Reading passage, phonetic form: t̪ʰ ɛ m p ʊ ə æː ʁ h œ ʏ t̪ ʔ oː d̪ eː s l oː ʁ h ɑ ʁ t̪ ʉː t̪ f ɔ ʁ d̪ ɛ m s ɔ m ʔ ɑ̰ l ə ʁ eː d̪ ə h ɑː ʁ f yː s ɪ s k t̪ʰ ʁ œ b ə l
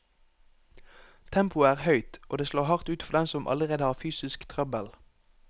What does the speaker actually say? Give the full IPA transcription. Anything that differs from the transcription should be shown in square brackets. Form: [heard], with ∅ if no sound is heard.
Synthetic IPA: t̪ʰ ɛ m p ʊ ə æː ʁ h œ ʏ t̪ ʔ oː d̪ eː s l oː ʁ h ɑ ʁ t̪ ʉː t̪ f ɔ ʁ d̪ ɛ m s ɔ m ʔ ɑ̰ l ə ʁ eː d̪ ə h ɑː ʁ f yː s ɪ s k t̪ʰ ʁ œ b ə l